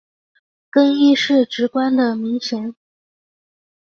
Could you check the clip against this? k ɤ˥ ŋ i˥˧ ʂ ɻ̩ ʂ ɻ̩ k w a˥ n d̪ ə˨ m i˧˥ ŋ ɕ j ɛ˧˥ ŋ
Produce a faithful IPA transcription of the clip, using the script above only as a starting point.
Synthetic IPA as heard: k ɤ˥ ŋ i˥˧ ʂ ɻ̩ ʈ͡ʂ ɻ̩ k w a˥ n d̪ ə˨ m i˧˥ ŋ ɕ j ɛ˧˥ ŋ